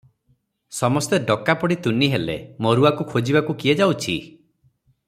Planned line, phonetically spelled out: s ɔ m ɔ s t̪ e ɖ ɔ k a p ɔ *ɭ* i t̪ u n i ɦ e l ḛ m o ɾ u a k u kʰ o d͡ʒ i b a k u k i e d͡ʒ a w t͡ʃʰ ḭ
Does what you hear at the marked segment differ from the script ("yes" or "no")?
yes